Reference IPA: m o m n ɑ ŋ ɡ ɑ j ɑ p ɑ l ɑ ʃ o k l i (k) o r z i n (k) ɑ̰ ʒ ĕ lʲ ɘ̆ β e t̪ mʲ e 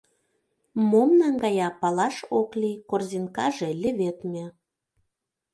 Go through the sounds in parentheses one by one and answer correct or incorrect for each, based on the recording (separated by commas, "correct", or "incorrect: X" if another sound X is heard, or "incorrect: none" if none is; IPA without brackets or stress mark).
correct, correct